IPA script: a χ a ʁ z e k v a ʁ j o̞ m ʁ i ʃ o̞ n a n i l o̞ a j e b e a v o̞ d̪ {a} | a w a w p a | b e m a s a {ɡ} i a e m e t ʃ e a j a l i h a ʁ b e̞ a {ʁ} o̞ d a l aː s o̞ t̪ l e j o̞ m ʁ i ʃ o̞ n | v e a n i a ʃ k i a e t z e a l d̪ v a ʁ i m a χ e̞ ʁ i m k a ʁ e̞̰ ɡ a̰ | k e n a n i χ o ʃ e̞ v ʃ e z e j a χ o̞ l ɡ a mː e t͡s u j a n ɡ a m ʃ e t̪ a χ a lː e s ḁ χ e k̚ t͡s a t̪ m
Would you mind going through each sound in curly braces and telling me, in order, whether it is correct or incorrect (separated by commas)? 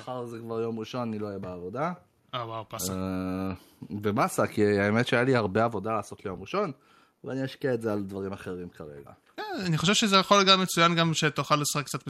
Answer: correct, incorrect, incorrect